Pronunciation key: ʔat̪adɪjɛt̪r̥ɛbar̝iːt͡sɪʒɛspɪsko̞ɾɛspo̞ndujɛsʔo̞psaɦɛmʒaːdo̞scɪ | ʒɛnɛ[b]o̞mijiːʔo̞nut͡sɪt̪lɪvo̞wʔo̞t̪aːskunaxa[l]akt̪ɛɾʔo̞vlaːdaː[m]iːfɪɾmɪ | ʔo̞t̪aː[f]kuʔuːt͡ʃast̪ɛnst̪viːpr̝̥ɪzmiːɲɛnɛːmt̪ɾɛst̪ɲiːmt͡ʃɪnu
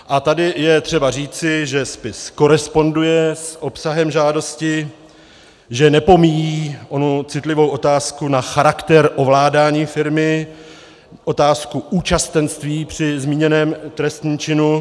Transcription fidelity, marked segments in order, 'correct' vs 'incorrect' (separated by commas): incorrect, incorrect, incorrect, incorrect